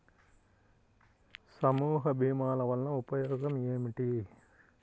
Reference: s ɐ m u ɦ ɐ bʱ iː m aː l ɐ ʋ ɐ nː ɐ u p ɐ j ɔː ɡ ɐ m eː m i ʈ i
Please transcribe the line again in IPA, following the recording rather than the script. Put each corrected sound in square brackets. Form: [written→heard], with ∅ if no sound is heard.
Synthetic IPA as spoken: s ɐ m [u→uː] ɦ ɐ bʱ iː m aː l ɐ ʋ ɐ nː ɐ u p ɐ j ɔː ɡ ɐ m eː m i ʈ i